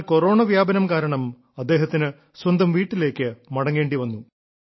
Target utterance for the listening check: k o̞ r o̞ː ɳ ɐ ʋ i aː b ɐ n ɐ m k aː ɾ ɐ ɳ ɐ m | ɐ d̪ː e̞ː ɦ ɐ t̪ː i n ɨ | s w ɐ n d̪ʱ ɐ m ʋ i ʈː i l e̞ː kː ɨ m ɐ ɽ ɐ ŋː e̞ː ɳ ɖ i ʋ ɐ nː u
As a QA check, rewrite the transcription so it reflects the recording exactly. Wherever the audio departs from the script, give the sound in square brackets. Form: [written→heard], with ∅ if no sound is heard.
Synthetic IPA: k o̞ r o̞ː ɳ ɐ ʋ [i→j] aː b ɐ n ɐ m k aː ɾ ɐ ɳ ɐ m | ɐ d̪ː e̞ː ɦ ɐ t̪ː i n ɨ | s w ɐ n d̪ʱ ɐ m ʋ [i→iː] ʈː i l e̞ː kː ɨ m ɐ ɽ ɐ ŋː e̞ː ɳ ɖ i ʋ ɐ nː u

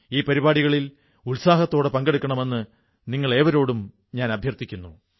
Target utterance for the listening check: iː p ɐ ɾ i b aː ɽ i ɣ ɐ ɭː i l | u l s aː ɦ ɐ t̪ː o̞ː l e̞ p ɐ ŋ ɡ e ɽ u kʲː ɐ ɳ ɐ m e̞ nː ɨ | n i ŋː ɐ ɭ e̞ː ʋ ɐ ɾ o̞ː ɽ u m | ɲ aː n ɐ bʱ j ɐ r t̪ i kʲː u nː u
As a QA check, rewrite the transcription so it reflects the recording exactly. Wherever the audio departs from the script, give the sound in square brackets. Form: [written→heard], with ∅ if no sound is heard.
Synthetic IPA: iː p ɐ ɾ i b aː ɽ i ɣ ɐ [ɭː→ɭ] i l | u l s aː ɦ ɐ t̪ː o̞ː [l→ɽ] e̞ p ɐ ŋ ɡ e ɽ u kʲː ɐ ɳ ɐ m e̞ nː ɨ | n i ŋː ɐ ɭ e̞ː ʋ ɐ ɾ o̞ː ɽ u m | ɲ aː n ɐ bʱ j ɐ r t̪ i kʲː u nː u

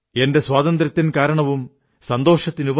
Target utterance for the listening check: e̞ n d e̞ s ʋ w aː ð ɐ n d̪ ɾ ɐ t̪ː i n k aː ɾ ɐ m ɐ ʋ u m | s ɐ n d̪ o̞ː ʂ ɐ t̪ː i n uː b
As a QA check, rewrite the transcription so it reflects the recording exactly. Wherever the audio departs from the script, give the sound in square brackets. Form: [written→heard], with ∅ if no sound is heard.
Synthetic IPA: e̞ n d e̞ s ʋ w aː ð ɐ n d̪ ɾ ɐ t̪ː i n k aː ɾ ɐ [m→ɳ] ɐ ʋ u m | s ɐ n d̪ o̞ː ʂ ɐ t̪ː i n [uː→u] b

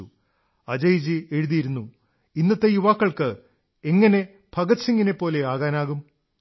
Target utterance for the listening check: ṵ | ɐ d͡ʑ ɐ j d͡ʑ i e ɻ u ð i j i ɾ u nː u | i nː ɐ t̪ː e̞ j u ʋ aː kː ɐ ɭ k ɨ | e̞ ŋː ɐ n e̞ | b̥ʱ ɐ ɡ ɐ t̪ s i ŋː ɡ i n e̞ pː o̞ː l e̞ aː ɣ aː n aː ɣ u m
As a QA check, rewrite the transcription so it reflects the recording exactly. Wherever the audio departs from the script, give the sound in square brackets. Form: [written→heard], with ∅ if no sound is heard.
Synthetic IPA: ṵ | ɐ d͡ʑ ɐ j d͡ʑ i e ɻ u ð i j i ɾ u nː u | i nː ɐ t̪ː e̞ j u ʋ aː kː ɐ ɭ k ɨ | e̞ ŋː ɐ n e̞ | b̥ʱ ɐ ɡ ɐ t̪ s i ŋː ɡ i n e̞ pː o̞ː l e̞ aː ɣ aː n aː ɣ u m

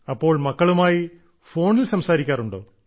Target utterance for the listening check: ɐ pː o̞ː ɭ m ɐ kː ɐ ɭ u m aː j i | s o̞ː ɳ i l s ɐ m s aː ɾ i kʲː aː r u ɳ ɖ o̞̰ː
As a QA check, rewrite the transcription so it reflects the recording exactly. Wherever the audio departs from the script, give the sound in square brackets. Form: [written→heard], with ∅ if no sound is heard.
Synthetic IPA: ɐ pː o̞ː ɭ m ɐ kː ɐ ɭ u m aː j i | [s→f] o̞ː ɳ i l s ɐ m s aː ɾ i kʲː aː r u ɳ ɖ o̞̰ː

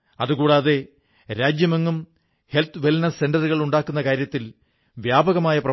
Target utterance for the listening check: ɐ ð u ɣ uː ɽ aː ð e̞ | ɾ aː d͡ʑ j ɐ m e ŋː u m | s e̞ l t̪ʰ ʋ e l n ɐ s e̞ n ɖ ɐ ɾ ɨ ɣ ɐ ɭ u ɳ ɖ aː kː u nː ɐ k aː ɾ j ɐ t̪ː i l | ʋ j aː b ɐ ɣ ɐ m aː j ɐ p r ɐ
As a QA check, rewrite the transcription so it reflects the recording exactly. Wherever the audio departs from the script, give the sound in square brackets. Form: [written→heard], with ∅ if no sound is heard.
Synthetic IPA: ɐ ð u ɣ uː ɽ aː ð e̞ | ɾ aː d͡ʑ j ɐ m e ŋː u m | [s→h] e̞ l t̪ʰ ʋ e l n ɐ s e̞ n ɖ ɐ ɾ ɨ ɣ ɐ ɭ u ɳ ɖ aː kː u nː ɐ k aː ɾ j ɐ t̪ː i l | ʋ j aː b ɐ ɣ ɐ m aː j ɐ p r ɐ

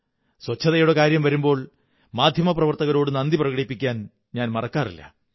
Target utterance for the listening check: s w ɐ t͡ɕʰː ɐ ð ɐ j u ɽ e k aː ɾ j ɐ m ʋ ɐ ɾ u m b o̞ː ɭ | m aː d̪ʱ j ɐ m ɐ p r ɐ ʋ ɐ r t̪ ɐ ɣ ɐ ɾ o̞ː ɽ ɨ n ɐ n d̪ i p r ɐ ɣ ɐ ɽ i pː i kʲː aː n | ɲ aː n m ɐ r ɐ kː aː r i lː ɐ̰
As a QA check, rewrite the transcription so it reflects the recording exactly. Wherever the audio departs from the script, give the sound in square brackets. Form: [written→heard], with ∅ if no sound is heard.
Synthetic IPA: s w ɐ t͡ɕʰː ɐ ð ɐ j u ɽ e k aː ɾ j ɐ m ʋ ɐ ɾ u m b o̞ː ɭ | m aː d̪ʱ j ɐ m ɐ p r ɐ ʋ ɐ r t̪ ɐ ɣ ɐ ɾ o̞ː ɽ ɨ n ɐ n d̪ i p r ɐ ɣ ɐ ɽ i pː i kʲː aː n | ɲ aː n m ɐ r ɐ kː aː r i lː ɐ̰

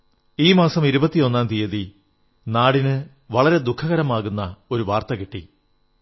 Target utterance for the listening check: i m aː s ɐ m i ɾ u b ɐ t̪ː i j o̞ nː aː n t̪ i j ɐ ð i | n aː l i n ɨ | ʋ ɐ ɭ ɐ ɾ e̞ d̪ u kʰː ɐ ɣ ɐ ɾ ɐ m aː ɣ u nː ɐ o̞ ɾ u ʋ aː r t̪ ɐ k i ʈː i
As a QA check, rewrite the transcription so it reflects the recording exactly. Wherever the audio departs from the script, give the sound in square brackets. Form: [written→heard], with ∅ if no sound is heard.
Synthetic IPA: [i→iː] m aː s ɐ m i ɾ u b ɐ t̪ː i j o̞ nː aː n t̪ i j ɐ ð i | n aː [l→ɽ] i n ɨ | ʋ ɐ ɭ ɐ ɾ e̞ d̪ u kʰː ɐ ɣ ɐ ɾ ɐ m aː ɣ u nː ɐ o̞ ɾ u ʋ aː r t̪ ɐ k i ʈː i

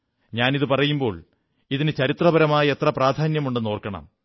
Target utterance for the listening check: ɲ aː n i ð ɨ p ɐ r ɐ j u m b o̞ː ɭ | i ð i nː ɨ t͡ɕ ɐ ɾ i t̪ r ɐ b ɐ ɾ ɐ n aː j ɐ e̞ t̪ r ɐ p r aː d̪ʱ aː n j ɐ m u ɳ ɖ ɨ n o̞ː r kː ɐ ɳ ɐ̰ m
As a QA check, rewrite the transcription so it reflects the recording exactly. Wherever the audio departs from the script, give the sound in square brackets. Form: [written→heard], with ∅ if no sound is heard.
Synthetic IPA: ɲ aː n i ð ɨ p ɐ r ɐ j u m b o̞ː ɭ | i ð i [nː→n] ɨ t͡ɕ ɐ ɾ i t̪ r ɐ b ɐ ɾ ɐ [n→m] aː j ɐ e̞ t̪ r ɐ p r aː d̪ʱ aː n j ɐ m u ɳ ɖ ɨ n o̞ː r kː ɐ ɳ ɐ̰ m

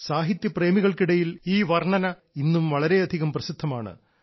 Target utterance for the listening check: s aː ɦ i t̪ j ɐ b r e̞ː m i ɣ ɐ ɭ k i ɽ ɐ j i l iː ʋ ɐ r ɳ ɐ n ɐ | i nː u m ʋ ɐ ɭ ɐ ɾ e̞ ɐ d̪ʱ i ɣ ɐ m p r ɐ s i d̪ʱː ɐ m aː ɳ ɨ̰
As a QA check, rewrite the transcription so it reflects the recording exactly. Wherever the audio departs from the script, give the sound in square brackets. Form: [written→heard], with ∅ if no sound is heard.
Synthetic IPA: s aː ɦ i t̪ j ɐ [b→p] r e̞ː m i ɣ ɐ ɭ k i ɽ ɐ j i l iː ʋ ɐ r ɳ ɐ n ɐ | i nː u m ʋ ɐ ɭ ɐ ɾ e̞ ɐ d̪ʱ i ɣ ɐ m p r ɐ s i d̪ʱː ɐ m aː ɳ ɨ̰

